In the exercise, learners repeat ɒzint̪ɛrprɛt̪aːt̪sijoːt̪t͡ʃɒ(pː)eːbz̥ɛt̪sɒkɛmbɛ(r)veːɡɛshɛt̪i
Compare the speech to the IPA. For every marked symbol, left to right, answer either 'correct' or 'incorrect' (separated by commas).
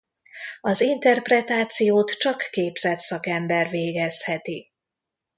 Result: incorrect, correct